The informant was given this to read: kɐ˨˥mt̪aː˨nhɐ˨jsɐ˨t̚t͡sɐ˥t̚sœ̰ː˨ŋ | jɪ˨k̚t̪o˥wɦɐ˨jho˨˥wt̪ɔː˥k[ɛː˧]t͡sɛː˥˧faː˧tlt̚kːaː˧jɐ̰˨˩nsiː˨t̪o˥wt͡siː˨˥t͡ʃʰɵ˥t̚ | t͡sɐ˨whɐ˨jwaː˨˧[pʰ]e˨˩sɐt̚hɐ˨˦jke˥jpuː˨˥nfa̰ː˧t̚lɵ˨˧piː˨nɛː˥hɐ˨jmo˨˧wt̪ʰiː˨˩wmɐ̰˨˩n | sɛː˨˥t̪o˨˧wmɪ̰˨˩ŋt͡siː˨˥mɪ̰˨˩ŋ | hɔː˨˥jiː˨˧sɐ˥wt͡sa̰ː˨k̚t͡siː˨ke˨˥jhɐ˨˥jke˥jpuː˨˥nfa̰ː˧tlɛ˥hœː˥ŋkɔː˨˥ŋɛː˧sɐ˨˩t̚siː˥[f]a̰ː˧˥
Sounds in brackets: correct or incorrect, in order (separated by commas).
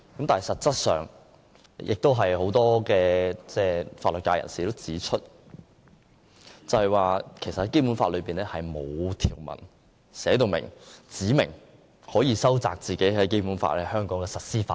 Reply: correct, incorrect, correct